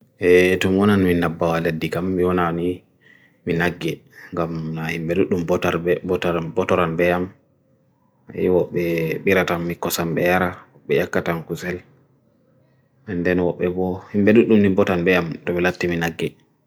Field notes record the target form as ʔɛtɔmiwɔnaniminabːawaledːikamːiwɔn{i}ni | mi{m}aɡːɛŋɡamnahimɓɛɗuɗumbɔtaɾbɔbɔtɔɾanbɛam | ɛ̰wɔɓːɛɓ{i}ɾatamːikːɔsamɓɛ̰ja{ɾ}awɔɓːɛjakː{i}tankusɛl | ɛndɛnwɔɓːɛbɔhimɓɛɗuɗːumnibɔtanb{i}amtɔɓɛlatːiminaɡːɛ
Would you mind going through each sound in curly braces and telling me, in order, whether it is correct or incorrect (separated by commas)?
incorrect, incorrect, correct, correct, incorrect, incorrect